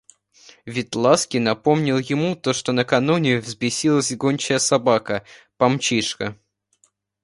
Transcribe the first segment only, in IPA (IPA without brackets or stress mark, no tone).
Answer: vʲ